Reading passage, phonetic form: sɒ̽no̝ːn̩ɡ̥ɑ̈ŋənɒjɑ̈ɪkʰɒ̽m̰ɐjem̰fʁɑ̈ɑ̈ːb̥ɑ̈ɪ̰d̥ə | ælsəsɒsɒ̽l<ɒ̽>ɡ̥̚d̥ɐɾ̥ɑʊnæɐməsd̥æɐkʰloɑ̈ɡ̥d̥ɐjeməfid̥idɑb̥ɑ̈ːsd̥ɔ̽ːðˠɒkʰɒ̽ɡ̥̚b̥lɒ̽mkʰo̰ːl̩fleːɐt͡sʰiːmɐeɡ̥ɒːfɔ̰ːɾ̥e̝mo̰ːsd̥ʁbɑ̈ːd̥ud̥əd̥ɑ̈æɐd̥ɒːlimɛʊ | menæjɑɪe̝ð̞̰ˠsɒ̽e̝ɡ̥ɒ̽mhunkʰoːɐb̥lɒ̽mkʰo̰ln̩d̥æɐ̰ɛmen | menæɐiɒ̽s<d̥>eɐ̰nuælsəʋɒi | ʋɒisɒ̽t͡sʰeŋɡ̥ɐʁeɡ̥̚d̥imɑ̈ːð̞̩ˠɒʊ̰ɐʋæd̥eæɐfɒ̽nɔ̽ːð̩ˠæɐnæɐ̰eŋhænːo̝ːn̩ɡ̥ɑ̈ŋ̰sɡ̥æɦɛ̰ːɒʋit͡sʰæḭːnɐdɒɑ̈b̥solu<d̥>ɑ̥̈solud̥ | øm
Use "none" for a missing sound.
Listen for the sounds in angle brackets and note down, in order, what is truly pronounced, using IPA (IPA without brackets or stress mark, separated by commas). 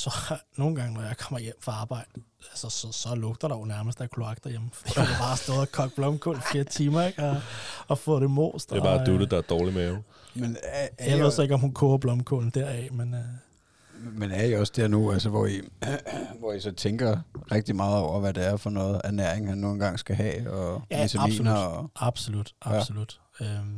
ɔ̽, d̥, d̥